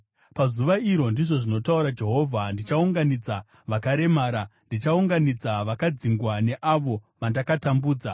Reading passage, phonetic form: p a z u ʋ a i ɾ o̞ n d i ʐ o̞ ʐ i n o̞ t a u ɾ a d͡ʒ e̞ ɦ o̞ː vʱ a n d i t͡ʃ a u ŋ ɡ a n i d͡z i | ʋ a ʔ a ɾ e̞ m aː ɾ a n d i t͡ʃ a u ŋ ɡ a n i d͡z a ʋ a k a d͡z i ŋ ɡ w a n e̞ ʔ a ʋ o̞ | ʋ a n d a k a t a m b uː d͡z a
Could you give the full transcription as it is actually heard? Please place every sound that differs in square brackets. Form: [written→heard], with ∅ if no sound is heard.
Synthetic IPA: p a z u ʋ a i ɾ o̞ n d i ʐ o̞ ʐ i n o̞ t a u ɾ a d͡ʒ e̞ ɦ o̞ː vʱ a n d i t͡ʃ a u ŋ ɡ a n i d͡z [i→a] | ʋ a [ʔ→k] a ɾ e̞ m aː ɾ a n d i t͡ʃ a u ŋ ɡ a n i d͡z a ʋ a k a d͡z i ŋ ɡ w a n e̞ ʔ a ʋ o̞ | ʋ a n d a k a t a m b uː d͡z a

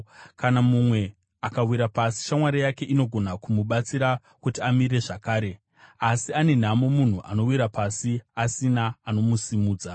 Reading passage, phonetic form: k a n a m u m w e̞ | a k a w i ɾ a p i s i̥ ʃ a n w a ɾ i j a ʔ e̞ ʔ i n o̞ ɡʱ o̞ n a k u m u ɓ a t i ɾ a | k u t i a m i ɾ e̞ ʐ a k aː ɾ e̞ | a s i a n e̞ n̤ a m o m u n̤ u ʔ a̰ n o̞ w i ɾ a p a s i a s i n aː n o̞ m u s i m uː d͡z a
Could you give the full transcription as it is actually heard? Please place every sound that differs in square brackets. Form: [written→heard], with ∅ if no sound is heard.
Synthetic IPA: k a n a m u m w e̞ | a k a w i ɾ a p [i→a] s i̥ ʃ a [n→m] w a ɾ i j a [ʔ→k] e̞ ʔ i n o̞ ɡʱ o̞ n a k u m u ɓ a [t→t͡s] i ɾ a | k u t i a m i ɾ e̞ ʐ a k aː ɾ e̞ | a s i a n e̞ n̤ a m o m u n̤ u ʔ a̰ n o̞ w i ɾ a p a s i a s i n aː n o̞ m u s i m uː d͡z a

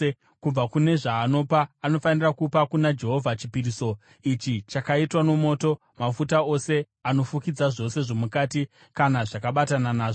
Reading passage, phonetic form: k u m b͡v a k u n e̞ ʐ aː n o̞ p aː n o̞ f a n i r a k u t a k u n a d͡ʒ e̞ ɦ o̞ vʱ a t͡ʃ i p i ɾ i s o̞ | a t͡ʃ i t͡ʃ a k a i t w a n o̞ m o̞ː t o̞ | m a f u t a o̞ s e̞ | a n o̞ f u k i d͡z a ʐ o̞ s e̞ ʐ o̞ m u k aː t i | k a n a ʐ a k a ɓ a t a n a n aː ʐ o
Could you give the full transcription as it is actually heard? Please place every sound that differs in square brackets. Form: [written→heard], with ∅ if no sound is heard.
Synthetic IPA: k u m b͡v a k u n e̞ ʐ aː n o̞ p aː n o̞ f a n i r a k u [t→p] a k u n a d͡ʒ e̞ ɦ o̞ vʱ a t͡ʃ i p i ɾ i s o̞ | [a→i] t͡ʃ i t͡ʃ a k a i t w a n o̞ m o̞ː t o̞ | m a f u t a o̞ s e̞ | a n o̞ f u k i d͡z a ʐ o̞ s e̞ ʐ o̞ m u k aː t i | k a n a ʐ a k a ɓ a t a n a n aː ʐ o

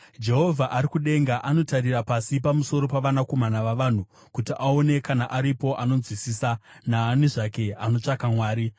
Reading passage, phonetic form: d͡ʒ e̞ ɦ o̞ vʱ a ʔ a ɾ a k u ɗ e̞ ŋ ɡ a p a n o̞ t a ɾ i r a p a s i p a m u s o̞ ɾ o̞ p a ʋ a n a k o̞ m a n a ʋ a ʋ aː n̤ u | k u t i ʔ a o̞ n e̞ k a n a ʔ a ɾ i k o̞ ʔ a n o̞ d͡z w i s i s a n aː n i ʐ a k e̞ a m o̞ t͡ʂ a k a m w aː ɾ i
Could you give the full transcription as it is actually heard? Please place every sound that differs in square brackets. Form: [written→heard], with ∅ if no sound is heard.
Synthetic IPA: d͡ʒ e̞ ɦ o̞ vʱ a ʔ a ɾ [a→i] k u ɗ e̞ ŋ ɡ a [p→ʔ] a n o̞ t a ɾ i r a p a s i p a m u s o̞ ɾ o̞ p a ʋ a n a k o̞ m a n a ʋ a ʋ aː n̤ u | k u t i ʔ a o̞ n e̞ k a n a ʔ a ɾ i [k→p] o̞ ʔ a n o̞ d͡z w i s i s a n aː n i ʐ a k e̞ a [m→n] o̞ t͡ʂ a k a m w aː ɾ i

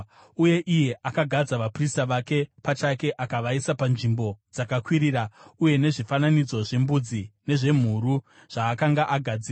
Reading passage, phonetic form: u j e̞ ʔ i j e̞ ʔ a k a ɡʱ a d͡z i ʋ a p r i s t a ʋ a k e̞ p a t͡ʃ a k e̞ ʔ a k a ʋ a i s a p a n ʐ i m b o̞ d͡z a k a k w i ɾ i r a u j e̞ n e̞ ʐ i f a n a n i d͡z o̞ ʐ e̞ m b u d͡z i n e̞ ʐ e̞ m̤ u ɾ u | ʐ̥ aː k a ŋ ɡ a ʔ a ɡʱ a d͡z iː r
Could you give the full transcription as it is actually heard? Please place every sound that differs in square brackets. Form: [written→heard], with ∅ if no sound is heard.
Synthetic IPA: u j e̞ ʔ i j e̞ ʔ a k a ɡʱ a d͡z [i→a] ʋ a p r i s t a ʋ a k e̞ p a t͡ʃ a k e̞ ʔ a k a ʋ a i s a p a n ʐ i m b o̞ d͡z a k a k w i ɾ i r a u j e̞ n e̞ ʐ i f a n a n i d͡z o̞ ʐ e̞ m b u d͡z i n e̞ ʐ e̞ m̤ u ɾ u | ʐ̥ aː k a ŋ ɡ a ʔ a ɡʱ a d͡z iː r

